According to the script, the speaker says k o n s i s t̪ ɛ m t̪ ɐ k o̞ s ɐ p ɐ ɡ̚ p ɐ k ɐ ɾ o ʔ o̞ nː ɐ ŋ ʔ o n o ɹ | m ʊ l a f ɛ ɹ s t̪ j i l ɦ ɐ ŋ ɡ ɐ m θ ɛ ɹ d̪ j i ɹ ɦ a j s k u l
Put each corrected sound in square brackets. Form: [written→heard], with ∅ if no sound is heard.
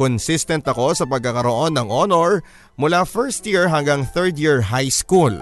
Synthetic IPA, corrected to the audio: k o n s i s t̪ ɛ [m→n] t̪ ɐ k o̞ s ɐ p ɐ ɡ̚ [p→k] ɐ k ɐ ɾ o ʔ o̞ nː ɐ ŋ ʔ o n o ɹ | m ʊ l a f ɛ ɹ s t̪ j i [l→ɹ] ɦ ɐ ŋ ɡ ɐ [m→ŋ] θ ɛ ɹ d̪ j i ɹ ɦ a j s k u l